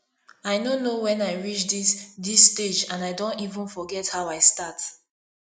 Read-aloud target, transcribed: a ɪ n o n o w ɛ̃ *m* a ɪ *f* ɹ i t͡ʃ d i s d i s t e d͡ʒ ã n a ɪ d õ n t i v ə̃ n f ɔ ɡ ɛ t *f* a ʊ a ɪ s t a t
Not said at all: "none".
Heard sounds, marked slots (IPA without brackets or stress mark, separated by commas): n, none, h